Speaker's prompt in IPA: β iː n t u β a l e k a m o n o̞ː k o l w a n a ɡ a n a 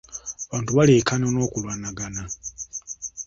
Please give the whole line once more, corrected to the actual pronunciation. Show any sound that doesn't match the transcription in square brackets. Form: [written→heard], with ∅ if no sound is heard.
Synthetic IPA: β [iː→aː] n t u β a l e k a [m→n] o n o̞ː k [o→u] l w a n a ɡ a n a